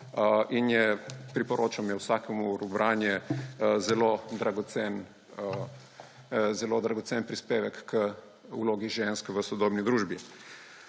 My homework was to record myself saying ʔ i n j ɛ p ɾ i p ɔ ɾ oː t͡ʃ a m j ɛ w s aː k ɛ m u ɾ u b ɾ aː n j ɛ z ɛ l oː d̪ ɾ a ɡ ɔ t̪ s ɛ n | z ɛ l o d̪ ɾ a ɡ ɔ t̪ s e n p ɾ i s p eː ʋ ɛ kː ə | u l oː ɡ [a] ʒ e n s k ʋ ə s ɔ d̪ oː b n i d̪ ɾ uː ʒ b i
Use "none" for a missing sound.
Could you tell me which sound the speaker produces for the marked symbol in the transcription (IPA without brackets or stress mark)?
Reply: i